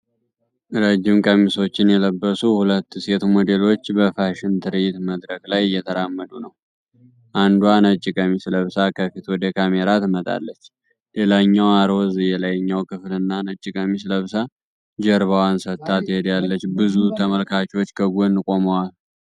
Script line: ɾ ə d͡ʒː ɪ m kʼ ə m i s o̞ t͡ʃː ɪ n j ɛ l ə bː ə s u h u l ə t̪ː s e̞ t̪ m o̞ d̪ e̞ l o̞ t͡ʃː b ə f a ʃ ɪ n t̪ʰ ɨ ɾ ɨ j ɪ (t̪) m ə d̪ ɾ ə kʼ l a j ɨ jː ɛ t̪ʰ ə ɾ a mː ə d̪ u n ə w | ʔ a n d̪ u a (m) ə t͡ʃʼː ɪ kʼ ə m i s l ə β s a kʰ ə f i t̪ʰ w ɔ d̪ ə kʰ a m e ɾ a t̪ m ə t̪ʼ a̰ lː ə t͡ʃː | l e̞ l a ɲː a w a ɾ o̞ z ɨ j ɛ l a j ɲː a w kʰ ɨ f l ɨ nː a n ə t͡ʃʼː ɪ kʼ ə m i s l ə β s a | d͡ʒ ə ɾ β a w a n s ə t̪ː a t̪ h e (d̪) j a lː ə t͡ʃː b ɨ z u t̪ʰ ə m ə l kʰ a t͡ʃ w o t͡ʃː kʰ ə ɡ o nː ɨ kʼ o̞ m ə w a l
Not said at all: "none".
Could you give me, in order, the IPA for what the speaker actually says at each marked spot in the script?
t̪, n, d̪

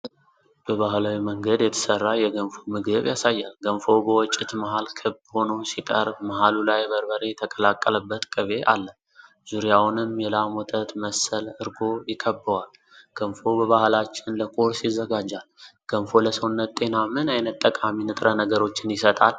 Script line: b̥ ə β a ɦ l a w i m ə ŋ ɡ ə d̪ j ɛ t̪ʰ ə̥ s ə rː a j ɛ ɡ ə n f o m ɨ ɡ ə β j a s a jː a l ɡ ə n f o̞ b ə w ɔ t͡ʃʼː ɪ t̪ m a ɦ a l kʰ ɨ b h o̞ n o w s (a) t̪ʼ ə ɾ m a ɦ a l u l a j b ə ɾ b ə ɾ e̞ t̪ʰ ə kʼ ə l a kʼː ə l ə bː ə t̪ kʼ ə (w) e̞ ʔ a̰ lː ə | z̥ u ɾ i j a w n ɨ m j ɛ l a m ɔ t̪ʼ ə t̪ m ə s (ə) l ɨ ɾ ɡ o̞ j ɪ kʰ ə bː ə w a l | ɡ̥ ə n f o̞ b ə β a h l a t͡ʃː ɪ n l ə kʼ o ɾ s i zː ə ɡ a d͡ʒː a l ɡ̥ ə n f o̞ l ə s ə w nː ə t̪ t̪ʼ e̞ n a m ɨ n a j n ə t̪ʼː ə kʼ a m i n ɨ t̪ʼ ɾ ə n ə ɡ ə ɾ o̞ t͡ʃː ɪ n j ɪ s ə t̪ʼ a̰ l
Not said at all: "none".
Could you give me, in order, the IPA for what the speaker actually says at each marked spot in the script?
i, β, ə

